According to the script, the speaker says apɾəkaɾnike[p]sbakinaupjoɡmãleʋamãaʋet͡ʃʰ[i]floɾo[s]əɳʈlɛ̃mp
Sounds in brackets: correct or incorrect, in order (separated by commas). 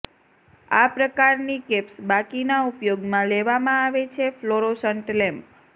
correct, incorrect, correct